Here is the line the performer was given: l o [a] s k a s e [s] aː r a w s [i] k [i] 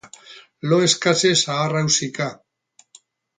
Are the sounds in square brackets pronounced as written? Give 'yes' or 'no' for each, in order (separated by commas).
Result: no, yes, yes, no